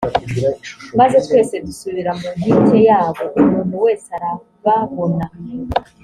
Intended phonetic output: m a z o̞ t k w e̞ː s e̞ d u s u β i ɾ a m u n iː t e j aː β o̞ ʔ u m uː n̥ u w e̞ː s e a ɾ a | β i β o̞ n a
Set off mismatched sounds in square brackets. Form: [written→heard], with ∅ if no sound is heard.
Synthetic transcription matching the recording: m a z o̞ t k w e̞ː s e̞ d u s u β i ɾ a m u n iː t e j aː β o̞ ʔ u m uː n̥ u w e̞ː s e a ɾ a | β [i→a] β o̞ n a